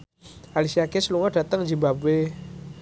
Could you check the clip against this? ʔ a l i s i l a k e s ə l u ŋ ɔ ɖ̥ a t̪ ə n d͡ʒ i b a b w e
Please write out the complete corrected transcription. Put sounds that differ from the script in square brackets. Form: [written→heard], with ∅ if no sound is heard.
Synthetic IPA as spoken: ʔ a l i s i [l→∅] a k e s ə l u ŋ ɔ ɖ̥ a t̪ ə [n→ŋ] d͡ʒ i b a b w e

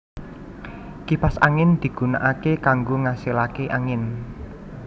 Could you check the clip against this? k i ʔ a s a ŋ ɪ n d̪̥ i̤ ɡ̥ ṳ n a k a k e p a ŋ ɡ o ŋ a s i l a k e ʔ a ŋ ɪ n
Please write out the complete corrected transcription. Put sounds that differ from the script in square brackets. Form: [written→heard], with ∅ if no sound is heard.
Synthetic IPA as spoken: k i [ʔ→p] a s a ŋ ɪ n d̪̥ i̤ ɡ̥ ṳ n a [k→ʔ] a k e [p→k] a ŋ ɡ o ŋ a s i l a k e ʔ a ŋ ɪ n

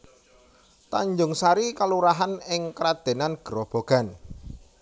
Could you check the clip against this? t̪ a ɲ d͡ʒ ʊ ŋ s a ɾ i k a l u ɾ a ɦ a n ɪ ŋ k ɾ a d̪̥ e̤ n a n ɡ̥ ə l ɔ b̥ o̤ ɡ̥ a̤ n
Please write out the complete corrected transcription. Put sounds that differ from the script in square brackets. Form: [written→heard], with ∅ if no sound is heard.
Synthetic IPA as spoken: t̪ a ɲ d͡ʒ ʊ ŋ s a ɾ i k a l u ɾ a ɦ a n ɪ ŋ k ɾ a d̪̥ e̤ n a n ɡ̥ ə [l→ɾ] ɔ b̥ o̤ ɡ̥ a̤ n

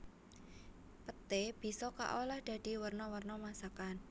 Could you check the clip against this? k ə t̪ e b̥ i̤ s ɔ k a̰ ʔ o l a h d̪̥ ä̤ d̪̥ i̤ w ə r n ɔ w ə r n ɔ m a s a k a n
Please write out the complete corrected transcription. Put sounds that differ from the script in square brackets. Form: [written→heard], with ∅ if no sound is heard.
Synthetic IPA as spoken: [k→p] ə t̪ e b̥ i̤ s ɔ k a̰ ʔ o l a h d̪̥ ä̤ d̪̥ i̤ w ə r n ɔ w ə r n ɔ m a s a k a n

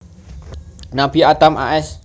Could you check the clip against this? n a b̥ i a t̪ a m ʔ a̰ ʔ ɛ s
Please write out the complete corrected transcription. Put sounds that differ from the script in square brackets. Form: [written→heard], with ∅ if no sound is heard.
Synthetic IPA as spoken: n a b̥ i a t̪ a m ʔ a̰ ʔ ɛ s

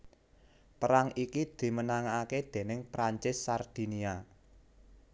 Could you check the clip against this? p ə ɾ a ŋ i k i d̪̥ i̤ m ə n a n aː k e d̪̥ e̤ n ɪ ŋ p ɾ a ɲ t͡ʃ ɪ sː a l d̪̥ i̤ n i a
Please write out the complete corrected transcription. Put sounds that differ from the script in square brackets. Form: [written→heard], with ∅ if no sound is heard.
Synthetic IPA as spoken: p ə ɾ a ŋ i k i d̪̥ i̤ m ə n a [n→ŋ] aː k e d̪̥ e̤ n ɪ ŋ p ɾ a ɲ t͡ʃ ɪ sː a [l→r] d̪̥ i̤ n i a

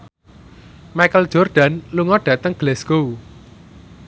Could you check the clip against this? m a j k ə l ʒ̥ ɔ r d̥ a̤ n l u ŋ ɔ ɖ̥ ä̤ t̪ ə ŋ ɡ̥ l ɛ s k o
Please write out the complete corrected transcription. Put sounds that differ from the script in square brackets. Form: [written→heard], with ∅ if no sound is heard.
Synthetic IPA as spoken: m a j k ə l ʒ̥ ɔ r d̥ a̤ n l u ŋ ɔ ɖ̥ ä̤ t̪ ə ŋ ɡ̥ l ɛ s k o

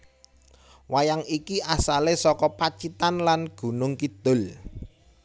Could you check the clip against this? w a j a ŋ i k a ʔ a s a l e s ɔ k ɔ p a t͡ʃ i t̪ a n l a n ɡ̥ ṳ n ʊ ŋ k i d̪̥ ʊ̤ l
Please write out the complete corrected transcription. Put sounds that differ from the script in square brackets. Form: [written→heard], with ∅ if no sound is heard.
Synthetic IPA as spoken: w a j a ŋ i k [a→i] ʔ a s a l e s ɔ k ɔ p a t͡ʃ i t̪ a n l a n ɡ̥ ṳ n ʊ ŋ k i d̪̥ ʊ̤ l

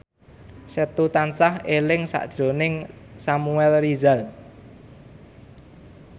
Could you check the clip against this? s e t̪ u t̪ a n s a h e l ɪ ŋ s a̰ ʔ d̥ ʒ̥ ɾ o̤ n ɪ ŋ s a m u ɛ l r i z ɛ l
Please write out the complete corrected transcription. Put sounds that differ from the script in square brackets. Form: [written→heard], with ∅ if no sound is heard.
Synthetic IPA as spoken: s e t̪ u t̪ a n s a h e l ɪ ŋ s a̰ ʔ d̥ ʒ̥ ɾ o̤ n ɪ ŋ s a m u ɛ l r i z [ɛ→a] l

